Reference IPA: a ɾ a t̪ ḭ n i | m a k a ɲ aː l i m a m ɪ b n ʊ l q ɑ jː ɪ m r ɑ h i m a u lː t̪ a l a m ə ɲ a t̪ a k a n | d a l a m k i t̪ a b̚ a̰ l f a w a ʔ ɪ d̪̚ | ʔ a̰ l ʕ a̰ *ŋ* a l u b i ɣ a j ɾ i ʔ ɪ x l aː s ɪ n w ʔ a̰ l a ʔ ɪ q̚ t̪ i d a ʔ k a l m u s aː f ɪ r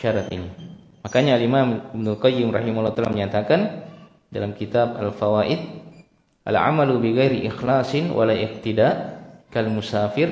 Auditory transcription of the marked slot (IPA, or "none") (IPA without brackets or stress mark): m